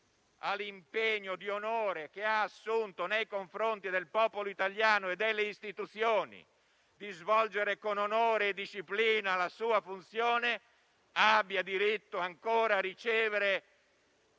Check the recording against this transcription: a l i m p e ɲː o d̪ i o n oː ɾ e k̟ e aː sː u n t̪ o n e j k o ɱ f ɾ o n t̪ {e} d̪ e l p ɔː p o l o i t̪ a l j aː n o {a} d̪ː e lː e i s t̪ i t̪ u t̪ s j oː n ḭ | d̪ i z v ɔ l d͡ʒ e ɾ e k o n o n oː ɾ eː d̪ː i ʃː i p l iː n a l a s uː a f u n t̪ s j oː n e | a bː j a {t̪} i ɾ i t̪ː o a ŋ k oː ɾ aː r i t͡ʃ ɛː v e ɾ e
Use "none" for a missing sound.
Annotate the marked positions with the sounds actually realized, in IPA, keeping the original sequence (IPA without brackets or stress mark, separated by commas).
i, e, d̪